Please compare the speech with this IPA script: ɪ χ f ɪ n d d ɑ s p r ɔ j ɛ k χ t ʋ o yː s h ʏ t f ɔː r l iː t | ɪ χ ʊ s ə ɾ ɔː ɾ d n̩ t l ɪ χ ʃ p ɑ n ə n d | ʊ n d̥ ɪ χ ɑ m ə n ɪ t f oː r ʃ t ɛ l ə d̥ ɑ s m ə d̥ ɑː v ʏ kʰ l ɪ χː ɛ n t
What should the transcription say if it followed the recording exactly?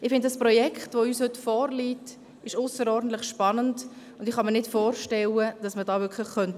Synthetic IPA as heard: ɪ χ f ɪ n d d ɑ s p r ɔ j ɛ k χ t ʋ o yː s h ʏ t f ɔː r l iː t | ɪ ʃ ʊ s ə ɾ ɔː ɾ d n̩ t l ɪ χ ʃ p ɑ n ə n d | ʊ n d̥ ɪ χ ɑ m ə n ɪ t f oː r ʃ t ɛ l ə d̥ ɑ s m ə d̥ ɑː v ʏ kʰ l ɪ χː œ n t